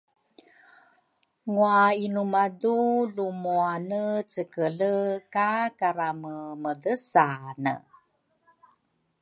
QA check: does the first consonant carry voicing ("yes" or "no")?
yes